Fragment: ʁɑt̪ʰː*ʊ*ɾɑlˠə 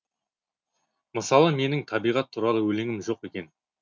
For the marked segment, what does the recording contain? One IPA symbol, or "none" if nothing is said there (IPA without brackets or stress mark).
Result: u